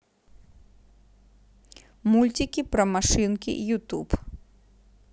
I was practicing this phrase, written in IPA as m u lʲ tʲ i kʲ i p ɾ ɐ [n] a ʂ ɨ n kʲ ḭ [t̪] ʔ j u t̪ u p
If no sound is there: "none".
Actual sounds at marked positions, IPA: m, none

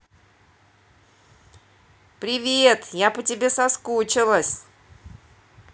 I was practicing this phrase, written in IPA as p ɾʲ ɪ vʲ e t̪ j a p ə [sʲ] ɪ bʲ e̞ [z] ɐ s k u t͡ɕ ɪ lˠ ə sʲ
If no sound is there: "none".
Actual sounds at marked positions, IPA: tʲ, s

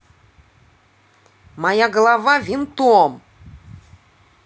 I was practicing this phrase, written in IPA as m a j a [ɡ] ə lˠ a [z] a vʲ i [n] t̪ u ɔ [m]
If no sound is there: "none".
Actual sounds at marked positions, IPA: ɡ, v, n, m

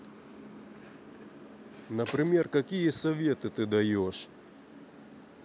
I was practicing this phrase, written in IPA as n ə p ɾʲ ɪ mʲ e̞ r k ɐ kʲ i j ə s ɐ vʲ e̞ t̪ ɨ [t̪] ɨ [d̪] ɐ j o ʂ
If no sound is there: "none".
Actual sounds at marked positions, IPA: t̪, d̪

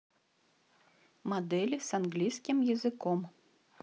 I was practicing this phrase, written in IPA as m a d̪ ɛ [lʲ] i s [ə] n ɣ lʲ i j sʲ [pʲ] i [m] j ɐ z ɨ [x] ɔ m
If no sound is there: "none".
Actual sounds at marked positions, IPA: lʲ, a, kʲ, m, k

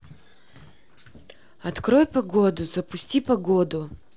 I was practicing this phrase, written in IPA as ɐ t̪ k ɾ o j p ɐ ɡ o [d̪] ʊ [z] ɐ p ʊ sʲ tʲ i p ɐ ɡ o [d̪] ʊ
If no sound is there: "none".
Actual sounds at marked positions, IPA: d̪, z, d̪

